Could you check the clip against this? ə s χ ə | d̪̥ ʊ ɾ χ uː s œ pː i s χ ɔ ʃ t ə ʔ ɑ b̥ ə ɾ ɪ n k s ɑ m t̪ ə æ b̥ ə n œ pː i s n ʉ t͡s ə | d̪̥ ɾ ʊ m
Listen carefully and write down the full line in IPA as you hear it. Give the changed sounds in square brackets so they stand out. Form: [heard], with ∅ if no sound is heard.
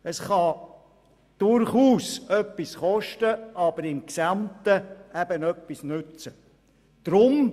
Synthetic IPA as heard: ə s χ [ɑ] | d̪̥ ʊ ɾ χ uː s œ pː i s χ ɔ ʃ t ə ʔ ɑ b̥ ə ɾ ɪ [m] k s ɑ m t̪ ə æ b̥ ə n œ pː i s n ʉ t͡s ə | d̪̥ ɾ ʊ m